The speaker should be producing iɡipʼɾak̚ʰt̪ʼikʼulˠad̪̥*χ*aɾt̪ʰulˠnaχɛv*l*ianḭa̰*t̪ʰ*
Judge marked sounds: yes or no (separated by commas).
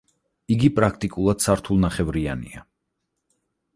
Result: no, no, no